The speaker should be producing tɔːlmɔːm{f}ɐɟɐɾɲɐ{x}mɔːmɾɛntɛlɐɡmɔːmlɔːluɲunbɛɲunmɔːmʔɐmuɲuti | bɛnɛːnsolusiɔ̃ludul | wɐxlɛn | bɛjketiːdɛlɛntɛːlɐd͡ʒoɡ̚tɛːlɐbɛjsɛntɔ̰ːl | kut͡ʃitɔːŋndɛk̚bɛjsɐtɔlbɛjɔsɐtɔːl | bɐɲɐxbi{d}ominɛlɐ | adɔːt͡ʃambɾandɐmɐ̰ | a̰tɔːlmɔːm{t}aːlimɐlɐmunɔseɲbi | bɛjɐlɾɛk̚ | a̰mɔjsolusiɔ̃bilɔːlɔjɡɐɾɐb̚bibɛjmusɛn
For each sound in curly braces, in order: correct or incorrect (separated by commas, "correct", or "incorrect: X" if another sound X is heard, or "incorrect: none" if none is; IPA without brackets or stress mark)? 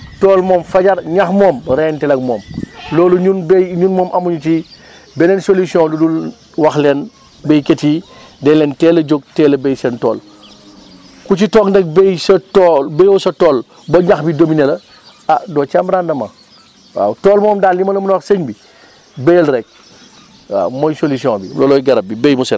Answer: correct, correct, correct, incorrect: d